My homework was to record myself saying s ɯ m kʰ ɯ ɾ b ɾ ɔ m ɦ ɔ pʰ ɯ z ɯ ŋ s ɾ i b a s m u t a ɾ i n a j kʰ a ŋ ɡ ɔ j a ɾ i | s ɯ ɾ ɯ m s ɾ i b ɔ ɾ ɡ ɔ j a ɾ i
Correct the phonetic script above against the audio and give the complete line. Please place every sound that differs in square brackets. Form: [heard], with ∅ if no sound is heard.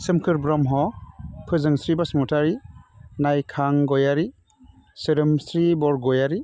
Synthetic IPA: s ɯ m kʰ ɯ ɾ b ɾ ɔ m ɦ ɔ pʰ ɯ z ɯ ŋ s ɾ i b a s m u t a ɾ i n a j kʰ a ŋ ɡ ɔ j a ɾ i | s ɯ ɾ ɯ m s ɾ i b ɔ ɾ ɡ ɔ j a ɾ i